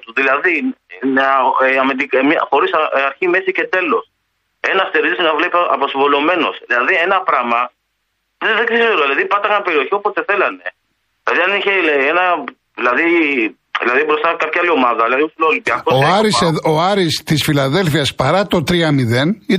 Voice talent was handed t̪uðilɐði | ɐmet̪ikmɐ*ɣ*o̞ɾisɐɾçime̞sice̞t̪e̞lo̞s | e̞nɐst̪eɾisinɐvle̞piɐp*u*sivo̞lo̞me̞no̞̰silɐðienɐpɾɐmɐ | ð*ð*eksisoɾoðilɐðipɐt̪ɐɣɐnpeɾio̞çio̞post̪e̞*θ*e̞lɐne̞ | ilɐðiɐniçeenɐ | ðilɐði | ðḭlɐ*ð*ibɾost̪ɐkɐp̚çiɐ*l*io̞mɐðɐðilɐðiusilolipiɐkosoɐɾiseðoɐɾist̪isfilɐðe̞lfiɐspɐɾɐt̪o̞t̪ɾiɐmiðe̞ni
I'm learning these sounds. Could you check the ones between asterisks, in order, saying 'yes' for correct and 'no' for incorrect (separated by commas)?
no, no, yes, yes, yes, yes